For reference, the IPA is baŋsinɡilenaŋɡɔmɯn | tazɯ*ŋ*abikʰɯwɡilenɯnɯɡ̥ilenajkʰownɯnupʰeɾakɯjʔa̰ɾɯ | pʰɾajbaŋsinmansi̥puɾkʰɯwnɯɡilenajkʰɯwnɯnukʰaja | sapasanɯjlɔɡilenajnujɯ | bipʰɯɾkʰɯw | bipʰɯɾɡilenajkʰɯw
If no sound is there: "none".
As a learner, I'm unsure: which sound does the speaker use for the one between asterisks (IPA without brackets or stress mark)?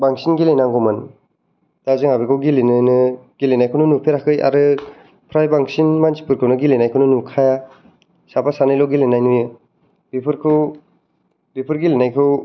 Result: ŋ